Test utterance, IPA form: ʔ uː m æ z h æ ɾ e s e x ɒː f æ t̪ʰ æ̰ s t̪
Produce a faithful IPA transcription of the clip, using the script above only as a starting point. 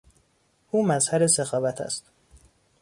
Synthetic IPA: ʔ uː m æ z h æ ɾ e s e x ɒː v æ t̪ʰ æ̰ s t̪

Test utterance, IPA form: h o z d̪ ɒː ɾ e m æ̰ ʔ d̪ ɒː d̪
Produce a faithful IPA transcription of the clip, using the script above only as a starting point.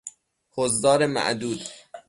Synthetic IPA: h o z d̪ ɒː ɾ e m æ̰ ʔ d̪ uː d̪

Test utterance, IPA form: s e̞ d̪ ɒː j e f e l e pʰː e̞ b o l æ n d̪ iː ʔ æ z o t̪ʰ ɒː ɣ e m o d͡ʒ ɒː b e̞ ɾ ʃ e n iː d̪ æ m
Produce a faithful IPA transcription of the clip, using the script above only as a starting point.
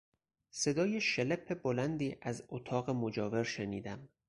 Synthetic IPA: s e̞ d̪ ɒː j e ʃ e l e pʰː e̞ b o l æ n d̪ iː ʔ æ z o t̪ʰ ɒː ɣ e m o d͡ʒ ɒː v e̞ ɾ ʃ e n iː d̪ æ m

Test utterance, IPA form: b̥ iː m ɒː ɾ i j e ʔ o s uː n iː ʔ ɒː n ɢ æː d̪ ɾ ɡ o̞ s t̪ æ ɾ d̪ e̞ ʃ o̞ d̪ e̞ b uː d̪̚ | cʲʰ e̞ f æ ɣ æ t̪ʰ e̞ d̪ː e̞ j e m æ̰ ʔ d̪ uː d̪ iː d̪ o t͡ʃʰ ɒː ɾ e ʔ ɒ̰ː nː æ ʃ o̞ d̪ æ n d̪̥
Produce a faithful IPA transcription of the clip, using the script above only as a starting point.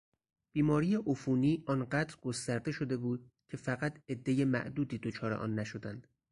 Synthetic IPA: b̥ iː m ɒː ɾ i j e ʔ o f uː n iː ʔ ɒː n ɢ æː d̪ ɾ ɡ o̞ s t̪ æ ɾ d̪ e̞ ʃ o̞ d̪ e̞ b uː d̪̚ | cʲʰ e̞ f æ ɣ æ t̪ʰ e̞ d̪ː e̞ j e m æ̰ ʔ d̪ uː d̪ iː d̪ o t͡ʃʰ ɒː ɾ e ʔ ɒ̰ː nː æ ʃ o̞ d̪ æ n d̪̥

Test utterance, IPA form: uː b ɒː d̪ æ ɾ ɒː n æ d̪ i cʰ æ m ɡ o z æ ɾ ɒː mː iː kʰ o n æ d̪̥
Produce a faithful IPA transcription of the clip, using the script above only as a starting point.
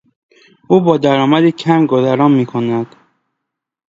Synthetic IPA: uː b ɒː d̪ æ ɾ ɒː m æ d̪ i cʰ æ m ɡ o z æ ɾ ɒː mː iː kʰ o n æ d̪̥

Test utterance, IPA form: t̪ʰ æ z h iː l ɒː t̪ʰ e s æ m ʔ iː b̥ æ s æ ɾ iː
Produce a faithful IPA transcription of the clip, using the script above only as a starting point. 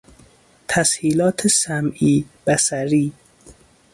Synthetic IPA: t̪ʰ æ s h iː l ɒː t̪ʰ e s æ m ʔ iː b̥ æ s æ ɾ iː

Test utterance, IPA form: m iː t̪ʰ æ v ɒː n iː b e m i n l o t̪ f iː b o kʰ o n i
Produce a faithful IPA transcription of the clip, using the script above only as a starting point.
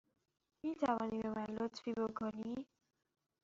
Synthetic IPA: m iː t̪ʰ æ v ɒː n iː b e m æ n l o t̪ f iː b o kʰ o n i

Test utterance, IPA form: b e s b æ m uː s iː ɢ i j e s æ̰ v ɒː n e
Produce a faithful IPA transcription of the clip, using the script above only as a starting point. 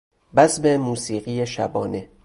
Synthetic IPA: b æ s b e m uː s iː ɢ i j e ʃ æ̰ b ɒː n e

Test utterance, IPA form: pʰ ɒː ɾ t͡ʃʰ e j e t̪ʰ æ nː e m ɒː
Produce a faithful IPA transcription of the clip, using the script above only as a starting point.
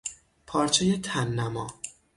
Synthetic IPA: pʰ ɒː ɾ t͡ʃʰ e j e t̪ʰ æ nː æ m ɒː

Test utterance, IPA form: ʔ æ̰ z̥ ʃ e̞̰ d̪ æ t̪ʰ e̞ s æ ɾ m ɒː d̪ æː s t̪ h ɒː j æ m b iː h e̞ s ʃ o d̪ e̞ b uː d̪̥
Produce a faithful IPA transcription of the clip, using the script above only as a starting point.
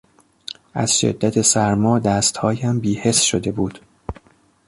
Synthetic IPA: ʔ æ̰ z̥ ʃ e̞̰ d̪ː æ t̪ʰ e̞ s æ ɾ m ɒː d̪ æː s t̪ h ɒː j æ m b iː h e̞ s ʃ o d̪ e̞ b uː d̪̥

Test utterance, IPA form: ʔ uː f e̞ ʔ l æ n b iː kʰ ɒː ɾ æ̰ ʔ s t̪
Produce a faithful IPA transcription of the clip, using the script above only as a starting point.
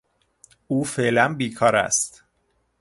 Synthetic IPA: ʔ uː f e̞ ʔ l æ n b iː kʰ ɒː ɾ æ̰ s t̪

